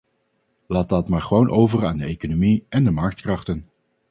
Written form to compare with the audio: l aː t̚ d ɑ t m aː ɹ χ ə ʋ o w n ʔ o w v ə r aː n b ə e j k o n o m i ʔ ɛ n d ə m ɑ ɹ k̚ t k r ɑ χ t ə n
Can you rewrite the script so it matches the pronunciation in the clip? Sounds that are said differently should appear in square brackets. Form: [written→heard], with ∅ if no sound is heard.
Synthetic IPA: l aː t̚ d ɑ t m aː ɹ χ ə ʋ o w n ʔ o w v ə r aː n [b→d] ə e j k o n o m i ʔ ɛ n d ə m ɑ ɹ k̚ t k r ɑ χ t ə n